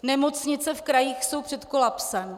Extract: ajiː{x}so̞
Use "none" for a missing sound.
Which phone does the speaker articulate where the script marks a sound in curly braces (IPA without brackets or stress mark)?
x